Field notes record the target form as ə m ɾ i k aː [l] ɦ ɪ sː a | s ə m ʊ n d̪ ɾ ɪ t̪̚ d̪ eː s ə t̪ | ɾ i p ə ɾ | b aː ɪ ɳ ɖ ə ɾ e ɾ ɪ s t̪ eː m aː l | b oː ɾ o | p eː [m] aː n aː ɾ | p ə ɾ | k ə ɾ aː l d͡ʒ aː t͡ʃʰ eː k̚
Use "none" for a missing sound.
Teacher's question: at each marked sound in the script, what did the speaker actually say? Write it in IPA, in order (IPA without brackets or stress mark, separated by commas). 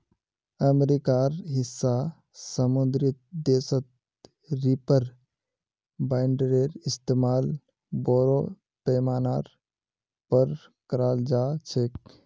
ɾ, m